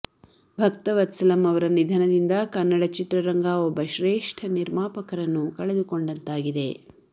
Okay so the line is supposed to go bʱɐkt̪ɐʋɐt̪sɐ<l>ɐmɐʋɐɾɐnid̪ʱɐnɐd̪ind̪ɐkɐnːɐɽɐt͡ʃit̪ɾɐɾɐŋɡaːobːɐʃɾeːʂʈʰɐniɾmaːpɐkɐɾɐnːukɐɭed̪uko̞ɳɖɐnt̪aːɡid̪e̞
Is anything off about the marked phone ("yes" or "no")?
no